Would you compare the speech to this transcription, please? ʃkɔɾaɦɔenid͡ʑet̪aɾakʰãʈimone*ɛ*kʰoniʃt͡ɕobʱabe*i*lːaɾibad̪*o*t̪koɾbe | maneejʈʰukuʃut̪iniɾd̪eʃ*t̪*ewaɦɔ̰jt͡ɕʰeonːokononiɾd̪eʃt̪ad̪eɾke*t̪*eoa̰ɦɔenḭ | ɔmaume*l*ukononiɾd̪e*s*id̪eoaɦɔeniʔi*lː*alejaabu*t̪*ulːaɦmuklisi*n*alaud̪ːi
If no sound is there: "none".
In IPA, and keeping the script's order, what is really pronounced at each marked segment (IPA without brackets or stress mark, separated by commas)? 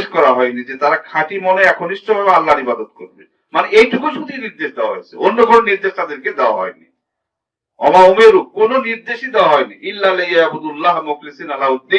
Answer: ɛ, a, o, d̪, d̪, ɾ, ʃ, lː, d̪, n